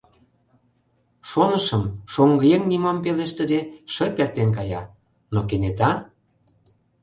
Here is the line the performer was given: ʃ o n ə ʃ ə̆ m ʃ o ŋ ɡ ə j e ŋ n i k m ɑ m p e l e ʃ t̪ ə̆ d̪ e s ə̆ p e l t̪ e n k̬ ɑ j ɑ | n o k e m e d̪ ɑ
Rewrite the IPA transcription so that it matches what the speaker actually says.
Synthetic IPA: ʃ o n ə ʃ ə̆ m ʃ o ŋ ɡ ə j e ŋ n i m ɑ m p e l e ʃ t̪ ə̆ d̪ e ʃ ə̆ p e r t̪ e n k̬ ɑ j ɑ | n o k e n e t̪ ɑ